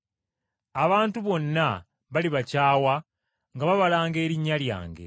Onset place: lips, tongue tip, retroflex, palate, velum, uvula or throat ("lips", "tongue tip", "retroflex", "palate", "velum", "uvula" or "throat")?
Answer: lips